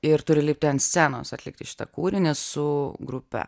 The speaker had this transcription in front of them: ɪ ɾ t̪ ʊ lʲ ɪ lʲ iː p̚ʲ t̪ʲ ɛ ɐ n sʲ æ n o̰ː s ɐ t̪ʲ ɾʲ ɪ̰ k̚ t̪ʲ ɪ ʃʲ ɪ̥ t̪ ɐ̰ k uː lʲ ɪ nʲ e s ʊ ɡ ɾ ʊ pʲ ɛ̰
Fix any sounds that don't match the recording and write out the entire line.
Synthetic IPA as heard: ɪ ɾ t̪ ʊ ɾʲ ɪ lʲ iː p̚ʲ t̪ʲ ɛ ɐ n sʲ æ n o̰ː s ɐ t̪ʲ lʲ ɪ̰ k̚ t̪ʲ ɪ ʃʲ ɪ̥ t̪ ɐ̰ k uː ɾʲ ɪ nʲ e s ʊ ɡ ɾ ʊ pʲ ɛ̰